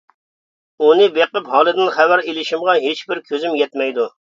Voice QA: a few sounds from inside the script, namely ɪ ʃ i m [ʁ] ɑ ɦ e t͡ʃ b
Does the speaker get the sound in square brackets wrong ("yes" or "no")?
no